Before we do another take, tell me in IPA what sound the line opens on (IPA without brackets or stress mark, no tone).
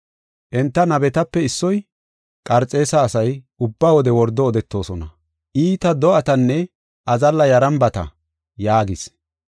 ʔ